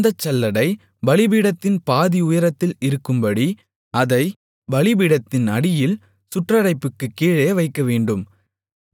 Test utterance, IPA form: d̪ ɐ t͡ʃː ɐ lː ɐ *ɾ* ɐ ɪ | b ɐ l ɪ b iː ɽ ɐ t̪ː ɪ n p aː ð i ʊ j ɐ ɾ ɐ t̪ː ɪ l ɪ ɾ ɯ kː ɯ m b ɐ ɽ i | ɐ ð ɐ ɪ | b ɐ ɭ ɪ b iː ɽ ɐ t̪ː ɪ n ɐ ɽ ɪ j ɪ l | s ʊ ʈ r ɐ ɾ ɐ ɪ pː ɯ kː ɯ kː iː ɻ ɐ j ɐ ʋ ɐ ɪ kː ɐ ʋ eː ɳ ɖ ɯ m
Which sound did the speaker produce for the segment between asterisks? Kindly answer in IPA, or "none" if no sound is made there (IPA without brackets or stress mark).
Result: ɽ